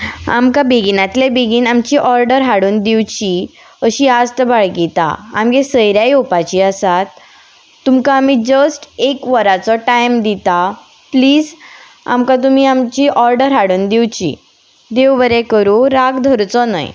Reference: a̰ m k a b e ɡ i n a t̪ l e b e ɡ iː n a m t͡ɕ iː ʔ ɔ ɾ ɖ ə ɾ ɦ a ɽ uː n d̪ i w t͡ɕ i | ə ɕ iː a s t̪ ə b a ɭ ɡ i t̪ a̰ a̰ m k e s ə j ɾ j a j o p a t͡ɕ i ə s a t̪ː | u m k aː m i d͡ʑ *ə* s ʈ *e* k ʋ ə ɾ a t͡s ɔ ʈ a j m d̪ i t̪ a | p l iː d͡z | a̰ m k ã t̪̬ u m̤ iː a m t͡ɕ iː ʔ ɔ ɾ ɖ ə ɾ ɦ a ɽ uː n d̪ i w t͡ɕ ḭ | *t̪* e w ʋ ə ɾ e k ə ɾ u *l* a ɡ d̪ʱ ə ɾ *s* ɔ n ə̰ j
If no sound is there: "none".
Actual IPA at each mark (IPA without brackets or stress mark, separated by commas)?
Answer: ə, e, d̪, ɾ, t͡s